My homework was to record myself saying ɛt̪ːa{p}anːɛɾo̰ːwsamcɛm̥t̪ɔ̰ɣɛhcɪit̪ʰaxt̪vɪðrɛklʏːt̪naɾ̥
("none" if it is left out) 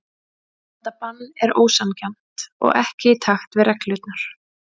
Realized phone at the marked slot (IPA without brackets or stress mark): p